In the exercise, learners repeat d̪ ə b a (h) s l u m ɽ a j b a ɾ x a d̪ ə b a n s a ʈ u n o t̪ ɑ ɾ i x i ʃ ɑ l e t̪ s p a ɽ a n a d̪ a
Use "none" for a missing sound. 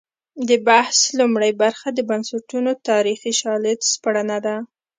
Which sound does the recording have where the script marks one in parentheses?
h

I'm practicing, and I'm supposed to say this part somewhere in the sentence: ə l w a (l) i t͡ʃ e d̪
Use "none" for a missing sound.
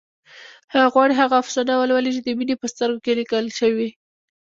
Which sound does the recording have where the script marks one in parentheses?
l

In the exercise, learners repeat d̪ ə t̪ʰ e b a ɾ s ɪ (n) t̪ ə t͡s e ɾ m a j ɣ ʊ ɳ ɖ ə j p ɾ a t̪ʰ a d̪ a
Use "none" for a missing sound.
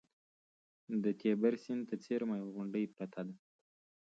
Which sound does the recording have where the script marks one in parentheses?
n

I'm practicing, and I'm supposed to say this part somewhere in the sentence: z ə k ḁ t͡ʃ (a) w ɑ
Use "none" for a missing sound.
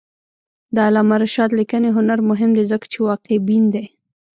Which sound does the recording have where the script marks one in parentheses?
e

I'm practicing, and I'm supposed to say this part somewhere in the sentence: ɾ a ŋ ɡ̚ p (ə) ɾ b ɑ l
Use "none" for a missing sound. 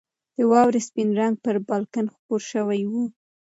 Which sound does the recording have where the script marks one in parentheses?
ə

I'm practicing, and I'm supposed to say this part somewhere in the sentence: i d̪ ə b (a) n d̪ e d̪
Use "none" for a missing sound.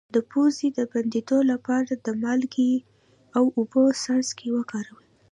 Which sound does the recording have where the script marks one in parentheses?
a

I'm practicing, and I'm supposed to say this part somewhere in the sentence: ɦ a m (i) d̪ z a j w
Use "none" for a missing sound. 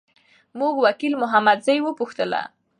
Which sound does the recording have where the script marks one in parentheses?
a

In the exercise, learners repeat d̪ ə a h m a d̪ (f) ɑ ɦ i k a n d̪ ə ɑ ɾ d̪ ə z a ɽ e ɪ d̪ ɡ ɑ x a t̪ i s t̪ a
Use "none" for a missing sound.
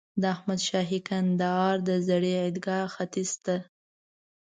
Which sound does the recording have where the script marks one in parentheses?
ʃ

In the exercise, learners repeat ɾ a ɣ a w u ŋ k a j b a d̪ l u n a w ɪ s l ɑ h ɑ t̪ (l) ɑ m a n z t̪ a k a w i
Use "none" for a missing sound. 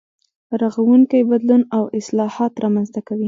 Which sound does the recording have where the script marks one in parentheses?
ɾ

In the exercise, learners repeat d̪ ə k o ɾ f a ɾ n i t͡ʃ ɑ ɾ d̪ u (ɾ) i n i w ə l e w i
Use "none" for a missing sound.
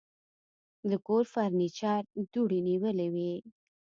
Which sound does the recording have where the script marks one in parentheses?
ɽ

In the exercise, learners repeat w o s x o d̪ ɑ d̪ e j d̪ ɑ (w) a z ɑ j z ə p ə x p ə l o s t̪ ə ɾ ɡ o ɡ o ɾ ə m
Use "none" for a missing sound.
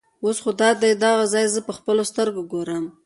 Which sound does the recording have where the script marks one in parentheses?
ɣ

